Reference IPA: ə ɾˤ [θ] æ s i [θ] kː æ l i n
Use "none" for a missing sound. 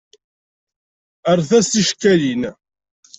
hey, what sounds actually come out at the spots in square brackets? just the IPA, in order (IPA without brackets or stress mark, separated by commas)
θ, ʃ